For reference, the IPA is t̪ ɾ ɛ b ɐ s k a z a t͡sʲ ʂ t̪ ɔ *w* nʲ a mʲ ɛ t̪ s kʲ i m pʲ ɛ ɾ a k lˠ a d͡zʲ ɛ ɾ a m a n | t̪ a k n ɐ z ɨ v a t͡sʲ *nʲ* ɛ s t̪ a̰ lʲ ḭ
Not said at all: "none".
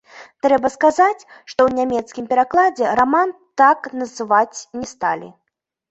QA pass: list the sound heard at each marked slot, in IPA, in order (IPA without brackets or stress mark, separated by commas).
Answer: w, nʲ